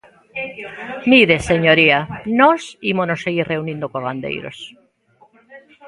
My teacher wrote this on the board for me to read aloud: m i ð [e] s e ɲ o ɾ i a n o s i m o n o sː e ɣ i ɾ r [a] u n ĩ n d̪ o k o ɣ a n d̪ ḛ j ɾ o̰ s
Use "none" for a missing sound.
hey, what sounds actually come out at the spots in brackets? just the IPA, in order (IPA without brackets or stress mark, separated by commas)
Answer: e, e